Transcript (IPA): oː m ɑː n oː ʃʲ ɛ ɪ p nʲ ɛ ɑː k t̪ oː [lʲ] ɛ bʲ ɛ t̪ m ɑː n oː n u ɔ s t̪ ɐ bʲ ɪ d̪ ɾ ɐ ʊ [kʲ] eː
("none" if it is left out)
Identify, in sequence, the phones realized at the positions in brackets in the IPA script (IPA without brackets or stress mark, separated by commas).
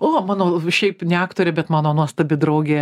ɾʲ, ɡʲ